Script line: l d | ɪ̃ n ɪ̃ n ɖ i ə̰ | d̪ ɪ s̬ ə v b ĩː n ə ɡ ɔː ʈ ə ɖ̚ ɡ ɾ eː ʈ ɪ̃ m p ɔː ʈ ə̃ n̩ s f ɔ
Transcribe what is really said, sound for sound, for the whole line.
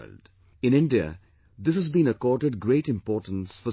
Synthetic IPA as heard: l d | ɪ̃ n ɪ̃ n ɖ i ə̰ | d̪ ɪ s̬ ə z b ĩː n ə k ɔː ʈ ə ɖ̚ ɡ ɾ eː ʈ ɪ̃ m p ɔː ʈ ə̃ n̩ s f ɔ